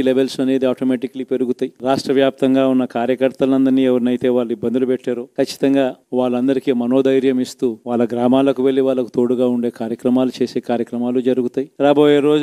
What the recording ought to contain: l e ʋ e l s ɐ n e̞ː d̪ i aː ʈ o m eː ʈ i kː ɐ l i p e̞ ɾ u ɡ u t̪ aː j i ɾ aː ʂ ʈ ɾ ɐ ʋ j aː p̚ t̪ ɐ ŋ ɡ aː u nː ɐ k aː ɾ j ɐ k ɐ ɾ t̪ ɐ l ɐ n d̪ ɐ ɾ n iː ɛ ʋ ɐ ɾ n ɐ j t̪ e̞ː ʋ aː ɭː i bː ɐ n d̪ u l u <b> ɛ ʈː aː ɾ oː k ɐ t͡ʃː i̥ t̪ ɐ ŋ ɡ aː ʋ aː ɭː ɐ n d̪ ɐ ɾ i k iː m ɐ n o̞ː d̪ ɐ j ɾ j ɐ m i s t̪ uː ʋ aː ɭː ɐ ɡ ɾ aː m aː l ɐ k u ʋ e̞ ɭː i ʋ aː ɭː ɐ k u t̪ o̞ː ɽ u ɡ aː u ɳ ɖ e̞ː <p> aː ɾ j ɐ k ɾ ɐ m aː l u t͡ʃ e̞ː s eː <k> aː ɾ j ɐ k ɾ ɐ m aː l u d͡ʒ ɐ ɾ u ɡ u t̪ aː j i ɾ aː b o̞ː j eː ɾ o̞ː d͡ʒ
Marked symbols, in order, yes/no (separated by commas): no, no, yes